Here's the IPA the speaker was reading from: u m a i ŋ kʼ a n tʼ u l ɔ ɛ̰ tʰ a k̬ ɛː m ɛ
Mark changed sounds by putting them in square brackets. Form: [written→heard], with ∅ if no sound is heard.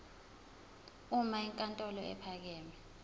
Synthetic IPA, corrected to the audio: u m a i ŋ kʼ a n tʼ [u→ɔ] l ɔ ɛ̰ [tʰ→pʰ] a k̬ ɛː m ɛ